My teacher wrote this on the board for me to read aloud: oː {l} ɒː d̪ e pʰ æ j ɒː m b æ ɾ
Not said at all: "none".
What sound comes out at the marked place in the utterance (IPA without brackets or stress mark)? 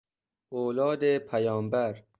l